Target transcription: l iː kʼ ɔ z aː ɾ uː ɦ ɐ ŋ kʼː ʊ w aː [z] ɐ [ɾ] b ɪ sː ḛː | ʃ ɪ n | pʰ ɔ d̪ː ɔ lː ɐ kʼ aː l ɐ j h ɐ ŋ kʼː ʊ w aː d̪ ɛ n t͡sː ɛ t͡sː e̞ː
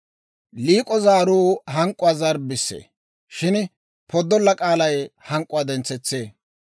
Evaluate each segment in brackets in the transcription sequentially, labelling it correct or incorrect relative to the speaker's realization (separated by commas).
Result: correct, correct